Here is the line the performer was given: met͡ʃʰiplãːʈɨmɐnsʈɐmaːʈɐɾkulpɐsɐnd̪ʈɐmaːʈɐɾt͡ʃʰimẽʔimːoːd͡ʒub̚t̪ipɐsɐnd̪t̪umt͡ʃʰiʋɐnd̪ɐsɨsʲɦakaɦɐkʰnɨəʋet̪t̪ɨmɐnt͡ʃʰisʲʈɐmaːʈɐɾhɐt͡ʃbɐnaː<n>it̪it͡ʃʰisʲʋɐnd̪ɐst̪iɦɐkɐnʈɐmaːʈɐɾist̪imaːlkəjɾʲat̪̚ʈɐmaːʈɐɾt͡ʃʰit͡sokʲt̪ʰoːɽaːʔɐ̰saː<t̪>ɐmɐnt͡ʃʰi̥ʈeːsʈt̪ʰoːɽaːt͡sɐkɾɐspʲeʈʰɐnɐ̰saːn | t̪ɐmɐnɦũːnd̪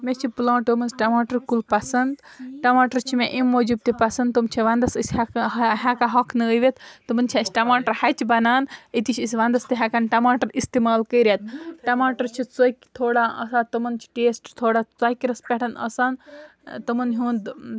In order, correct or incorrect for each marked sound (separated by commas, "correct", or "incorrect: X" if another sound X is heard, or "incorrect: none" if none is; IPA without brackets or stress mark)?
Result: correct, correct